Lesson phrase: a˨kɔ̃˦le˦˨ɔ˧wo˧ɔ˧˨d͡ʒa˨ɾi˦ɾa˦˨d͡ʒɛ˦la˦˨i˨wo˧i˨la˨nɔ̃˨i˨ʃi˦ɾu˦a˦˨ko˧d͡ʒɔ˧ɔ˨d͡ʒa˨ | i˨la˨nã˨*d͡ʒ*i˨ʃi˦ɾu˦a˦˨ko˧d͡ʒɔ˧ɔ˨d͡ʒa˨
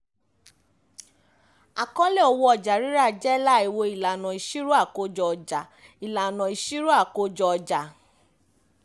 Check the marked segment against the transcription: incorrect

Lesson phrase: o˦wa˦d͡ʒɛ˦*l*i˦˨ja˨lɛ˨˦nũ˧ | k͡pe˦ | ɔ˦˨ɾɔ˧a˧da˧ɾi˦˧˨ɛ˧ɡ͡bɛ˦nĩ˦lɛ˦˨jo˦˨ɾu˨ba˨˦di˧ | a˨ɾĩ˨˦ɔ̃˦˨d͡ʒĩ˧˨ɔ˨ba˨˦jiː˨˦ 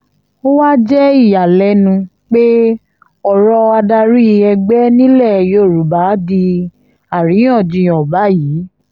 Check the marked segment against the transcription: incorrect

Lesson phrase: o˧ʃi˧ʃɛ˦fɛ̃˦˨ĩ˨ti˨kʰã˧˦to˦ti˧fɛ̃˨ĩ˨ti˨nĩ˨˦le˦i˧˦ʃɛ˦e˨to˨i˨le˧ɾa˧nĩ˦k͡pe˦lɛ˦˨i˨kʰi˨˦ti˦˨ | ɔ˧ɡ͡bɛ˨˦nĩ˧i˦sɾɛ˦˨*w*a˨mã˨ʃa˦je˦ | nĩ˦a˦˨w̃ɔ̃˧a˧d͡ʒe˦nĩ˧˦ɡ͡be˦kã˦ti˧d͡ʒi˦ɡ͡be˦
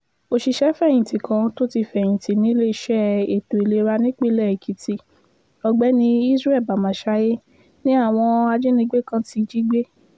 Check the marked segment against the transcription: incorrect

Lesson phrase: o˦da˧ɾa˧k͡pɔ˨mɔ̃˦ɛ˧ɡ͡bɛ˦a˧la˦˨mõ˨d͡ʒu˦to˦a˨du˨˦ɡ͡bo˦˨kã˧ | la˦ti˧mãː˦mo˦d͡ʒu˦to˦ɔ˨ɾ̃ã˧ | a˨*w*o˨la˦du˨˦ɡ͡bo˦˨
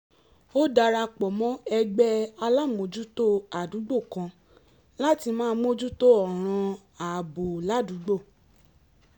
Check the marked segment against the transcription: incorrect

